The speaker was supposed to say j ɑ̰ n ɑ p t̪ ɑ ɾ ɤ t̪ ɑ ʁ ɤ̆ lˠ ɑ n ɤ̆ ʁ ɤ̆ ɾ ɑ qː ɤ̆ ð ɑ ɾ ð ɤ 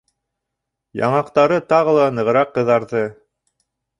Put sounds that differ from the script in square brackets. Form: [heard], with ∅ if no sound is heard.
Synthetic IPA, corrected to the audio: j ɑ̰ [ɴ] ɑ [q] t̪ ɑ ɾ ɤ t̪ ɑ ʁ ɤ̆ lˠ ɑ n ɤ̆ ʁ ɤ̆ ɾ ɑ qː ɤ̆ ð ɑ ɾ ð ɤ